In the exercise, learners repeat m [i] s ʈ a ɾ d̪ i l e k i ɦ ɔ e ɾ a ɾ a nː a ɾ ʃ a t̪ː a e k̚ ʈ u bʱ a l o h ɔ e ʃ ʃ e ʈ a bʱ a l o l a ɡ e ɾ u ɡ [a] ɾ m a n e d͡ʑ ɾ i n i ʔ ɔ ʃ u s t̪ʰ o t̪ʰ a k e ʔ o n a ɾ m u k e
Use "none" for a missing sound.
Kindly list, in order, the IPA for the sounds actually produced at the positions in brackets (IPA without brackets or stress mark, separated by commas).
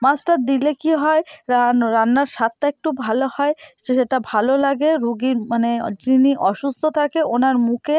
a, i